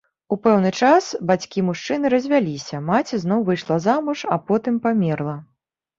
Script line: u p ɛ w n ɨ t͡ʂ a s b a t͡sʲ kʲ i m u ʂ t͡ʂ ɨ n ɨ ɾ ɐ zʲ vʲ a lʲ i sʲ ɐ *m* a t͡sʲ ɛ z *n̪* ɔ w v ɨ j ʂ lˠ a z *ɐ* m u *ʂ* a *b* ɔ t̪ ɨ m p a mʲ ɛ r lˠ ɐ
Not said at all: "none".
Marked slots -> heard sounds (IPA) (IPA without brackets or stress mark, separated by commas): m, n̪, a, ʂ, p